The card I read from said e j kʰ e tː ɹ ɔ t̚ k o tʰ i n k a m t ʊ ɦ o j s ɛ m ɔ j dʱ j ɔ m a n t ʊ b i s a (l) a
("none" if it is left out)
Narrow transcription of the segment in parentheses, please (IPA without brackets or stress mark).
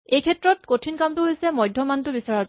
ɹ